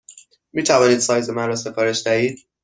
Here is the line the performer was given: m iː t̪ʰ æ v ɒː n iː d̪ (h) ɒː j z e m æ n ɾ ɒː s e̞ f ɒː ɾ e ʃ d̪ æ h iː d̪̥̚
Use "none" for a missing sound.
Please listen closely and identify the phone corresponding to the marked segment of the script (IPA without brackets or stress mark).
s